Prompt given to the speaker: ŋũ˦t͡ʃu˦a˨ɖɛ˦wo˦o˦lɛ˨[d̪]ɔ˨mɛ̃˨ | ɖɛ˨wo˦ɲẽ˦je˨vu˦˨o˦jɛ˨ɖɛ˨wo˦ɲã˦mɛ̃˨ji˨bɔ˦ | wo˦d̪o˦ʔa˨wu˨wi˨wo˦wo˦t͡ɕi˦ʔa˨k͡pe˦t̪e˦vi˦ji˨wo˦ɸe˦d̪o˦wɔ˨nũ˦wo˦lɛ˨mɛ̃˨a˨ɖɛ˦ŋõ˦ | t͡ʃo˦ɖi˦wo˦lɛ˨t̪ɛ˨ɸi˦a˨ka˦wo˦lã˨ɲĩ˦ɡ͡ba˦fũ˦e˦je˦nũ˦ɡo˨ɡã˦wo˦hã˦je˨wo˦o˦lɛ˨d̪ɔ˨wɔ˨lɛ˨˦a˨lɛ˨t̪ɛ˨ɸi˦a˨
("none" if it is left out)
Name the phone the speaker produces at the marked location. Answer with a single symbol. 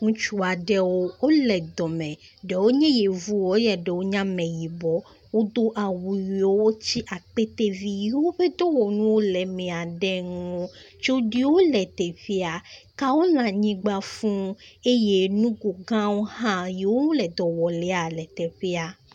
d̪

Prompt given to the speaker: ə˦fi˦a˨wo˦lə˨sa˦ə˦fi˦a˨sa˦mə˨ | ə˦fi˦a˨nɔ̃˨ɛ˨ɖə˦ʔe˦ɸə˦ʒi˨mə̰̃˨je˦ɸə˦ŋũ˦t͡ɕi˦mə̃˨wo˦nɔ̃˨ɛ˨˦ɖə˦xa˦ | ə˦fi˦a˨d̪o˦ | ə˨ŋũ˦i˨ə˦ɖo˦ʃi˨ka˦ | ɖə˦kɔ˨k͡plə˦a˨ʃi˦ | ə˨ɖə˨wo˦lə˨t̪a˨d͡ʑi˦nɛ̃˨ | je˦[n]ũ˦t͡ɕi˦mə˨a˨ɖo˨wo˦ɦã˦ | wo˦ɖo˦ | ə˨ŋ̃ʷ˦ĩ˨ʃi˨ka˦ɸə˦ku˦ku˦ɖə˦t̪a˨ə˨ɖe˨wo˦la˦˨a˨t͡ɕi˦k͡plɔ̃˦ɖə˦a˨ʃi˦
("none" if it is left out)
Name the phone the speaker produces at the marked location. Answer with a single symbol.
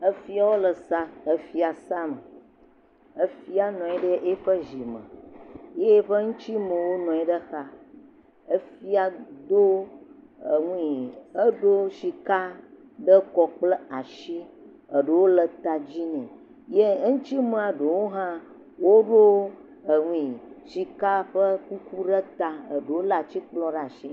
ŋ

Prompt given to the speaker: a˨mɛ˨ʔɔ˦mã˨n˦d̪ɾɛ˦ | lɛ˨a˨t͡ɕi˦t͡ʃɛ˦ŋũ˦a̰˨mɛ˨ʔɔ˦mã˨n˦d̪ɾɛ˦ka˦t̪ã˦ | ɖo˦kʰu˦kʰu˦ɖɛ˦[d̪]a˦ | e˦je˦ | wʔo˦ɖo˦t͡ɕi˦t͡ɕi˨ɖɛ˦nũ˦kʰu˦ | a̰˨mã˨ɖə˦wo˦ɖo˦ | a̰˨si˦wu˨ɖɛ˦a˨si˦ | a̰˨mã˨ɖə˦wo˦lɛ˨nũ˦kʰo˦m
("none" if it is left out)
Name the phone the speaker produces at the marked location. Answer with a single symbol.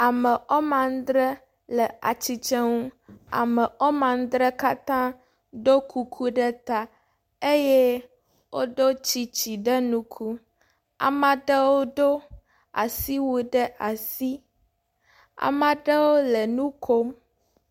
t̪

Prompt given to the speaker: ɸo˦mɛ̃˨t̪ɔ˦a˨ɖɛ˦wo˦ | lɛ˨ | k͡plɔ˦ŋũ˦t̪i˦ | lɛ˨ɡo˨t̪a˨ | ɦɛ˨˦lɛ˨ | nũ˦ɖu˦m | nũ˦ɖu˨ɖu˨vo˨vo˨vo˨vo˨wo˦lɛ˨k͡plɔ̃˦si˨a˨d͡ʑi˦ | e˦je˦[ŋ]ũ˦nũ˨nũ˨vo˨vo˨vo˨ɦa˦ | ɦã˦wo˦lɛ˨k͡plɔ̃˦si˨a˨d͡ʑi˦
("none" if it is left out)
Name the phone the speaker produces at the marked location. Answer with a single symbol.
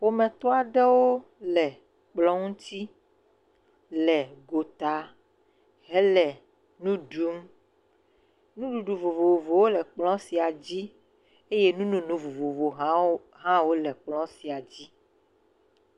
n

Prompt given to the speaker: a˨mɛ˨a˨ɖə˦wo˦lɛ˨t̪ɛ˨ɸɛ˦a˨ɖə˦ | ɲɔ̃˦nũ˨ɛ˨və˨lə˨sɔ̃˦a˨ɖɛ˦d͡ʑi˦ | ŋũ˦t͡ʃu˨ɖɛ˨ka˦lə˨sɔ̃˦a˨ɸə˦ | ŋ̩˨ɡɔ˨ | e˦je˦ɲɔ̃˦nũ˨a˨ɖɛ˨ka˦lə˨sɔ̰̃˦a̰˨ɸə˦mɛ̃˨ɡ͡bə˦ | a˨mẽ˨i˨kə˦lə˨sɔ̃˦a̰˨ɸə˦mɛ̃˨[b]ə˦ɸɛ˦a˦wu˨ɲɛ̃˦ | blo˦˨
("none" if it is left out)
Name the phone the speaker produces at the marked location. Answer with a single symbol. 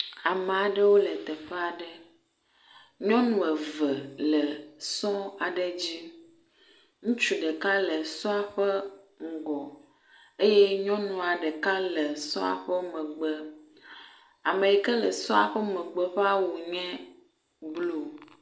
ɡ͡b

